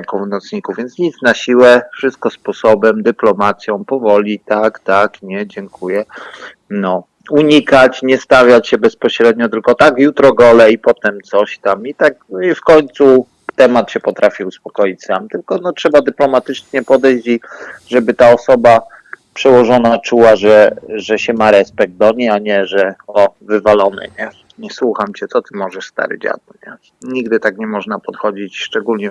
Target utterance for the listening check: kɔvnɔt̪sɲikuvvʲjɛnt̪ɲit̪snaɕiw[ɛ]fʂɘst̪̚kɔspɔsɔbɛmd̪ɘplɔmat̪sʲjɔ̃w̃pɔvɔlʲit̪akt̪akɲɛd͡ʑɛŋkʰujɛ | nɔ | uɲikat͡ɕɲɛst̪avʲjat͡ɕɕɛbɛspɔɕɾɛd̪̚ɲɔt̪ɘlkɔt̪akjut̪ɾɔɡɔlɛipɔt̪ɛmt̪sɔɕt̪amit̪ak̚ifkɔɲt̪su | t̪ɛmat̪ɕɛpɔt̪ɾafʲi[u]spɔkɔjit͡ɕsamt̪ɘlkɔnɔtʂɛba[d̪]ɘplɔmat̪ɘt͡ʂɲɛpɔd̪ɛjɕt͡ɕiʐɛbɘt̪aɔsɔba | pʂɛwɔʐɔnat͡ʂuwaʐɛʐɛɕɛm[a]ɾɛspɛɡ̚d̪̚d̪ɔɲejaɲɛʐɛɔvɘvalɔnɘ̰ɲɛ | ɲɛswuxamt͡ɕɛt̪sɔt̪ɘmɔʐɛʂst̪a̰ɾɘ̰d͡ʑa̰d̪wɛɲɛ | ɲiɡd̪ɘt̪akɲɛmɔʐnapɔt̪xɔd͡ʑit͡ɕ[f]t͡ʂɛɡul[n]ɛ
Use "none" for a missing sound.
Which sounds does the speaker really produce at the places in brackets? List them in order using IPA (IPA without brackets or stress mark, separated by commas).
ɛ, u, d̪, a, ʂ, ɲ